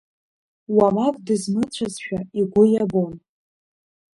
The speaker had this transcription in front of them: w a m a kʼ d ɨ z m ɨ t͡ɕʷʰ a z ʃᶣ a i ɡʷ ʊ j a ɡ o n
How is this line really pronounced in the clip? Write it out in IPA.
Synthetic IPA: w a m a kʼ d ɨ z m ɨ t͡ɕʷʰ a z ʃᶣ a i ɡʷ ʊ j a b o n